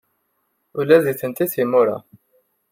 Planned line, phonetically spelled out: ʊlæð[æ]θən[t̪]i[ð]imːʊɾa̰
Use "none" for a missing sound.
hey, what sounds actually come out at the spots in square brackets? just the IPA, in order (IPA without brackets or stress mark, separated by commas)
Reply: i, t̪, θ